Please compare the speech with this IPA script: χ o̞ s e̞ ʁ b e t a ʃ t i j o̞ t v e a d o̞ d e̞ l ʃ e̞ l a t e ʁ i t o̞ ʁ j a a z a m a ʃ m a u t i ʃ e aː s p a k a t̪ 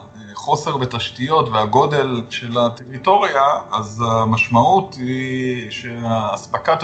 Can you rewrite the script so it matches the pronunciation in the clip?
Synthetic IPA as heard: χ o̞ s e̞ ʁ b e t a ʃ t i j o̞ t v e a ɡ o̞ d e̞ l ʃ e̞ l a t e ʁ i t o̞ ʁ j a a z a m a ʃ m a u t i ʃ e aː s p a k a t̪